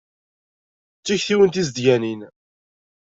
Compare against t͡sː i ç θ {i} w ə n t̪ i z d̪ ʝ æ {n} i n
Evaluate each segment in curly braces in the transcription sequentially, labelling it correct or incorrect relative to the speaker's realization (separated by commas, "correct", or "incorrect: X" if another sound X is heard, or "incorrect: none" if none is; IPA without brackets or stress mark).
correct, correct